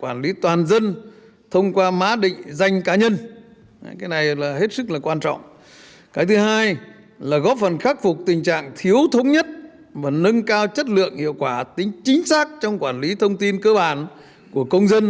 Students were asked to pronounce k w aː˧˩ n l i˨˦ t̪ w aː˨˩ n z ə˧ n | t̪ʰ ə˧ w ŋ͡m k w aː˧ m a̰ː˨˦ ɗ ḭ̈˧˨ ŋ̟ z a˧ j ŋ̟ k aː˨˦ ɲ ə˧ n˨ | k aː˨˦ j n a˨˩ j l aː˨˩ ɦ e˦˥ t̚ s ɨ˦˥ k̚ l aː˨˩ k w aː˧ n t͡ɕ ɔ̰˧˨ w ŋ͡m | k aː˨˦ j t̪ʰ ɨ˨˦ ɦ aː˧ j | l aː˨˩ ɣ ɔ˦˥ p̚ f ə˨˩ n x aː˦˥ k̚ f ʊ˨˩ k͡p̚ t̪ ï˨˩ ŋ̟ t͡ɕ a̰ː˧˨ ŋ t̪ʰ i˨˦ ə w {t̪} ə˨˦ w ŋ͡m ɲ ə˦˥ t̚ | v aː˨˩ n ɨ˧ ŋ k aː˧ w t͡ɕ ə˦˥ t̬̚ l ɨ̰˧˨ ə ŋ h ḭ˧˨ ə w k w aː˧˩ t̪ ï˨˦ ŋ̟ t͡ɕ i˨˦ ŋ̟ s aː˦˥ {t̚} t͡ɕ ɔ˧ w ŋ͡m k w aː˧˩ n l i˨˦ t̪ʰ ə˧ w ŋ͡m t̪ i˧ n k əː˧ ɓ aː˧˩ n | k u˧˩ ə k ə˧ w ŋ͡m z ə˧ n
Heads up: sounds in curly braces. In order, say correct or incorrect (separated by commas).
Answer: incorrect, incorrect